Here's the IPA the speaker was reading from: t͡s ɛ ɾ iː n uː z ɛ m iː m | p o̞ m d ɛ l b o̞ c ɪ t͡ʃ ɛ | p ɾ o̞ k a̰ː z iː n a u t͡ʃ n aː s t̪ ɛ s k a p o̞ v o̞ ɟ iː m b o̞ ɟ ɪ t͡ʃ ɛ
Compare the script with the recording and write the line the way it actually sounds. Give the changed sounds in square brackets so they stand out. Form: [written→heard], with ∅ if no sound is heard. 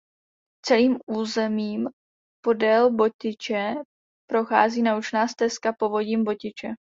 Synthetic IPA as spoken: t͡s ɛ [ɾ→l] iː [n→m] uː z ɛ m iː m | p o̞ [m→∅] d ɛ l b o̞ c ɪ t͡ʃ ɛ | p ɾ o̞ [k→x] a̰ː z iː n a u t͡ʃ n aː s t̪ ɛ s k a p o̞ v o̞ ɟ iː m b o̞ [ɟ→c] ɪ t͡ʃ ɛ